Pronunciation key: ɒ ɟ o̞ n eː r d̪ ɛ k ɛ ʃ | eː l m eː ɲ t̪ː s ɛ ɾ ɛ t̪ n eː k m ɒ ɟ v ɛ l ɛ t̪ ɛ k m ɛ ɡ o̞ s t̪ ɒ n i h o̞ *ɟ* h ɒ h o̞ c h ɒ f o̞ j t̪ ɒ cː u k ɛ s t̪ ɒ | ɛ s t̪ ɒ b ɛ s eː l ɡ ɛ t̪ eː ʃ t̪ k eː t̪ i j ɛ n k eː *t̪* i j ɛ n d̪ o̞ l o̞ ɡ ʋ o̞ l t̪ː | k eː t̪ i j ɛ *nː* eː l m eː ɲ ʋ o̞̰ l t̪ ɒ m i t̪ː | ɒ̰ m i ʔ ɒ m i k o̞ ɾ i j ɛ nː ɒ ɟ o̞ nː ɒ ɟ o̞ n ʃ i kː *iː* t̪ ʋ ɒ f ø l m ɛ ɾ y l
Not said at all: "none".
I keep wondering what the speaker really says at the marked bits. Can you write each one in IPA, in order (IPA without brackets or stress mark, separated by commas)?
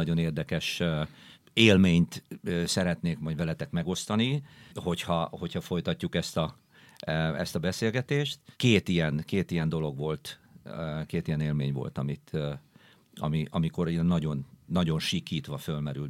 c, t̪, n, iː